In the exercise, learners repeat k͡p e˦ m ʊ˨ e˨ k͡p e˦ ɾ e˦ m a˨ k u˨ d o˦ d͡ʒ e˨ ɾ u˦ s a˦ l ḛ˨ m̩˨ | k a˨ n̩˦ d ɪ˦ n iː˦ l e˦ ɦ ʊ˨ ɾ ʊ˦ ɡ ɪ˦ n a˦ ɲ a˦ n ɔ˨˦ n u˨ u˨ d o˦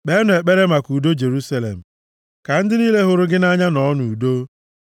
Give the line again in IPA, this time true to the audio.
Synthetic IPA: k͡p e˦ n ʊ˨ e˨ k͡p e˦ ɾ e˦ m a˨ k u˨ d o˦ d͡ʒ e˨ ɾ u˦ s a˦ l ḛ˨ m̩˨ | k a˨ n̩˦ d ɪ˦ n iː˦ l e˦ ɦ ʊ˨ ɾ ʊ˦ ɡ ɪ˦ n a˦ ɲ a˦ n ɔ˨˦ n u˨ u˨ d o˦